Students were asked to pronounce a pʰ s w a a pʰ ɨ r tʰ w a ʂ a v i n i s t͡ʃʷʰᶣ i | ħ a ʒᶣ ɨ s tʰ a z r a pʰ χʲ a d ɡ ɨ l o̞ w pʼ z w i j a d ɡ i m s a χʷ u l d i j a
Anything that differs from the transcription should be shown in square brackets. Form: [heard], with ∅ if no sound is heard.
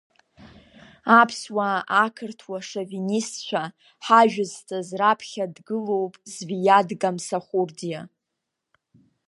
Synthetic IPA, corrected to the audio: a pʰ s w a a [kʰ] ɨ r tʰ w a ʂ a v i n i s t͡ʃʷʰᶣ [a] | ħ a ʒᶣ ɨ [z] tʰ a z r a pʰ χʲ a d ɡ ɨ l o̞ w pʼ z [v] i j a d ɡ [a] m s a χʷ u [r] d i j a